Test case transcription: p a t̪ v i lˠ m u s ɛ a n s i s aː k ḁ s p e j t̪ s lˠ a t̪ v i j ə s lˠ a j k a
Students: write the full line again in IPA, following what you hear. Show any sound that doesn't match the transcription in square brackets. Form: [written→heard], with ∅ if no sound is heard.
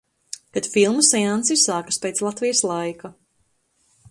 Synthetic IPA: [p→k] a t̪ [v→f] i lˠ m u s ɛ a n s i s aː k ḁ s p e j t̪ s lˠ a t̪ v i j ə s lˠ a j k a